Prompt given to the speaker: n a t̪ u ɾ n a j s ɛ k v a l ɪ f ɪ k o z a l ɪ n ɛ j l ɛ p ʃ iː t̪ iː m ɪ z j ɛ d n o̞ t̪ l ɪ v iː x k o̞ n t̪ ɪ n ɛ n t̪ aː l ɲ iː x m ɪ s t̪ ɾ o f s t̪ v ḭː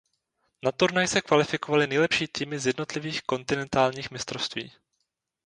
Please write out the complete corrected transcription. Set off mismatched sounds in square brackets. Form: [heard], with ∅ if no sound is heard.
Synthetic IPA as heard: n a t̪ u ɾ n a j s ɛ k v a l ɪ f ɪ k o [v] a l ɪ n ɛ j l ɛ p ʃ iː t̪ iː m ɪ z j ɛ d n o̞ t̪ l ɪ v iː x k o̞ n t̪ ɪ n ɛ n t̪ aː l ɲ iː x m ɪ s t̪ ɾ o f s t̪ v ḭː